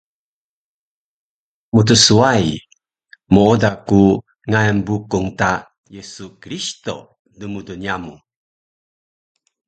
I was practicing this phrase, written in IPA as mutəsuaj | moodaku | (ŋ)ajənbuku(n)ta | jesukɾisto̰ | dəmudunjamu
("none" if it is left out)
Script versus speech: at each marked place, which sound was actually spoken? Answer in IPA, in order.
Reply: ŋ, ŋ

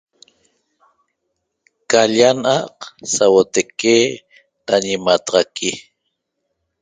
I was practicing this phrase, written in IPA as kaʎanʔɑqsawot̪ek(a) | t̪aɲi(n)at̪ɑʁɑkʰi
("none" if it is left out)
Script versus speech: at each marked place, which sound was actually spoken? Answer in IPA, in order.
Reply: e, m

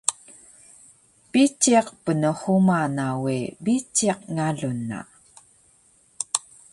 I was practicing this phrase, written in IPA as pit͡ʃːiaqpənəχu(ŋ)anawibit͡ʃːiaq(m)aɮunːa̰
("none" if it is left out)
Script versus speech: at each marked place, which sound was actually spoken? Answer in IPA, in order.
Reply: m, ŋ

